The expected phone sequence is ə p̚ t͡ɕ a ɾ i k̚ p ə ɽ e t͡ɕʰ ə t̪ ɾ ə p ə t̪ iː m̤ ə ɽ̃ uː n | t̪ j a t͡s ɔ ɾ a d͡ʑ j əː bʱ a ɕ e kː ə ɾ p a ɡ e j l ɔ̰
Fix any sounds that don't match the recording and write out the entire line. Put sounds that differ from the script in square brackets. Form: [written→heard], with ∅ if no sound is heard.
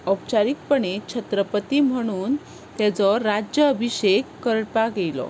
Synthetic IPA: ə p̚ t͡ɕ a ɾ i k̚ p ə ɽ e t͡ɕʰ ə t̪ ɾ ə p ə t̪ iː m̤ ə ɽ̃ uː n | t̪ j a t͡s ɔ ɾ a d͡ʑ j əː bʱ [a→i] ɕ e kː ə ɾ p a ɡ e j l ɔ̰